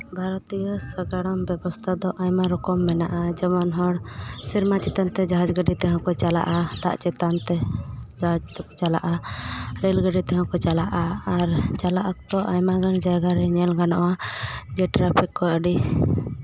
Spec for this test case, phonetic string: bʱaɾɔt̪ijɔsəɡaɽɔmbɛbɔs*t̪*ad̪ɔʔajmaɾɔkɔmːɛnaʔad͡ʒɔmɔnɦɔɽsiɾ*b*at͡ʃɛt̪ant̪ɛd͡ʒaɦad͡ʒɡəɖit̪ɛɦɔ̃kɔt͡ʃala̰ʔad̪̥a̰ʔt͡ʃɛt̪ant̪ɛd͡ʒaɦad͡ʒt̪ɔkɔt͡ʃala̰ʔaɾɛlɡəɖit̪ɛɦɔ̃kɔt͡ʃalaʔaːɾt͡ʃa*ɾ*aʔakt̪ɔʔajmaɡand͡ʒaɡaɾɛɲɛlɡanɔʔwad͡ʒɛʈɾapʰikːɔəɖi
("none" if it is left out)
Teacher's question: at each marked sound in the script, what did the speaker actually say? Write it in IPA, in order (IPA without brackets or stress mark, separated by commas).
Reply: t̪ʰ, m, l